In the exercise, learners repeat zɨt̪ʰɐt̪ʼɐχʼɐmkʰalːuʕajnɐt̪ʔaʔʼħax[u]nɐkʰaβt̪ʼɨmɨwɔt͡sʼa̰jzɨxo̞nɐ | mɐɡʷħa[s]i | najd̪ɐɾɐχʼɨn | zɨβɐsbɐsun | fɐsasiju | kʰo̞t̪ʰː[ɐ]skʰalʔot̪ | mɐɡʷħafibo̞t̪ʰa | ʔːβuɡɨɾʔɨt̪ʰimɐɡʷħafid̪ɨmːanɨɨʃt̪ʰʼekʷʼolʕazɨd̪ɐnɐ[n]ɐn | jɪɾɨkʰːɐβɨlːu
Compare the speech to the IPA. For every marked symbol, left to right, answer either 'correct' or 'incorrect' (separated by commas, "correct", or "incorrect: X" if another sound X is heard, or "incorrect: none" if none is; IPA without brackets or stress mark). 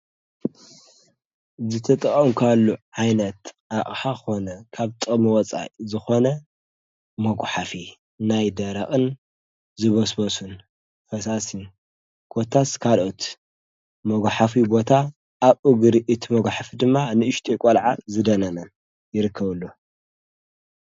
incorrect: o, incorrect: f, incorrect: a, correct